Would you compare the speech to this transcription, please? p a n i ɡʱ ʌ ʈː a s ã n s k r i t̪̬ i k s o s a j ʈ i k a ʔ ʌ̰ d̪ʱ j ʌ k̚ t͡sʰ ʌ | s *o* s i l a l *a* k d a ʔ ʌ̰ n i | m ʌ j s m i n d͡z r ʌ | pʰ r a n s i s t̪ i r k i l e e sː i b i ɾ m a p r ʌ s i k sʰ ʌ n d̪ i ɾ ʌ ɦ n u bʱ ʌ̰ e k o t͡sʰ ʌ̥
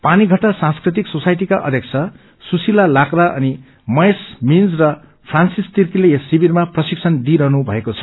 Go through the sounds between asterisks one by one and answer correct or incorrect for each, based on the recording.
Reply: incorrect: u, correct

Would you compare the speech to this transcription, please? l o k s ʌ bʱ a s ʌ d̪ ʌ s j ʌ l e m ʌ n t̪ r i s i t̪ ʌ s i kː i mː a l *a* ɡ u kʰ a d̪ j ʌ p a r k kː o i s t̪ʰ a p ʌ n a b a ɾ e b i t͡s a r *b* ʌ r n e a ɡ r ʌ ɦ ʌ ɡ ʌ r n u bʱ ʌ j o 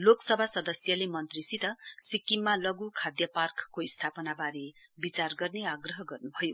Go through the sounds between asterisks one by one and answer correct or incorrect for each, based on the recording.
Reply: incorrect: ʌ, incorrect: ɡ

